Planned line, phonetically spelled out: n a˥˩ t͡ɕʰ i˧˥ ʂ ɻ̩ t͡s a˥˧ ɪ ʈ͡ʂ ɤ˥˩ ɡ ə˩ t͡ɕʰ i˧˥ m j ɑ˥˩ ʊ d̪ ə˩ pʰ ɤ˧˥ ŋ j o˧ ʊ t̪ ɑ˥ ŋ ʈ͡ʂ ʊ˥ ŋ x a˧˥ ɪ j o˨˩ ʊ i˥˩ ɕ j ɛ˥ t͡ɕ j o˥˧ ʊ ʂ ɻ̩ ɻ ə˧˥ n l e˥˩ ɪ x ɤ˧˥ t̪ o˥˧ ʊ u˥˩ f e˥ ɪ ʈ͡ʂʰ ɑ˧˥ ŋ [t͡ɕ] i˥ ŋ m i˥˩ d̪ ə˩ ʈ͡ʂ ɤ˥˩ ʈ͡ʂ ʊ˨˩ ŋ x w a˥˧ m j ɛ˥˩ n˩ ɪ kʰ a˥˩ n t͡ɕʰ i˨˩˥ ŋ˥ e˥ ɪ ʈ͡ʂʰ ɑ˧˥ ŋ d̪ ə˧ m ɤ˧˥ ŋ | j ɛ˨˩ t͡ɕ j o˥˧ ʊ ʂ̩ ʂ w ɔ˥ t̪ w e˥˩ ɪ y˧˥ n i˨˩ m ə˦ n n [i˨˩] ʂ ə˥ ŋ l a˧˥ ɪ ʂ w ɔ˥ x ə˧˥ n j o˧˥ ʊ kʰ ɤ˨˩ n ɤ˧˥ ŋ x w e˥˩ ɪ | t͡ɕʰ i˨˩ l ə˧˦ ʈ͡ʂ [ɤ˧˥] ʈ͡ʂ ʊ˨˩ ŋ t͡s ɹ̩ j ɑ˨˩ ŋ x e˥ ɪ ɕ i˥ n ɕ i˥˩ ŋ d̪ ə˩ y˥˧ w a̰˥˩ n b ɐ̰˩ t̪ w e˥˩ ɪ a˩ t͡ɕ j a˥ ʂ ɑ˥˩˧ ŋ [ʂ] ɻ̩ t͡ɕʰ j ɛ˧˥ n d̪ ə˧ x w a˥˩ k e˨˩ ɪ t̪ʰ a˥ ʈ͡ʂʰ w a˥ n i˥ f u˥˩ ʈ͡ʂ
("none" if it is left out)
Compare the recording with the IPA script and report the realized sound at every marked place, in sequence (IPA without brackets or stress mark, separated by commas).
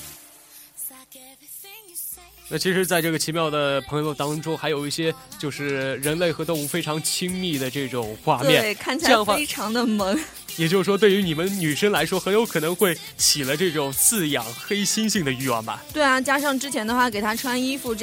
t͡ɕʰ, y˨˩, ɤ˥˩, ʈ͡ʂ